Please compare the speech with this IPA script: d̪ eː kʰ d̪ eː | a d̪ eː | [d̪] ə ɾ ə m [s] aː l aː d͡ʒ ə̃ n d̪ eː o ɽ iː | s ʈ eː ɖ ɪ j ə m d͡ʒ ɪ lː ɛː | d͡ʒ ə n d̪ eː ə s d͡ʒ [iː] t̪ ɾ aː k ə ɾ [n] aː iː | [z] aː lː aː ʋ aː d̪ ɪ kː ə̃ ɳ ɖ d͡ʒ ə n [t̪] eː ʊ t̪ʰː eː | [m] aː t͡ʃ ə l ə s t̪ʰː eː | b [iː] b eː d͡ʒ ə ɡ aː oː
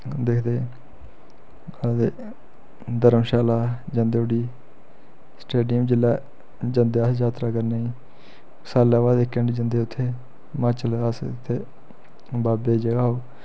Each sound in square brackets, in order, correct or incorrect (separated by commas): correct, incorrect, incorrect, correct, incorrect, incorrect, correct, incorrect